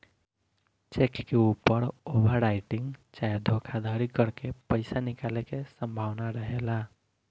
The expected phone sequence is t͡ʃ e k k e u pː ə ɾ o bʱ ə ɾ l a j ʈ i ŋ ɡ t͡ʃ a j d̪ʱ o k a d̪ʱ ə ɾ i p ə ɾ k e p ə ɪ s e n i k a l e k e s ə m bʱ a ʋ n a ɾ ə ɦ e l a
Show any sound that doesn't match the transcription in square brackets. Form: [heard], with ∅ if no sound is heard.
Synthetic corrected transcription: t͡ʃ e k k e u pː ə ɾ o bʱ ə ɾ [ɾ] a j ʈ i ŋ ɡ t͡ʃ a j d̪ʱ o [kʰ] a d̪ʱ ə ɾ i [k] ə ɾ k e p ə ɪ s [a] n i k a l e k e s ə m bʱ a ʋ n a ɾ ə ɦ e l a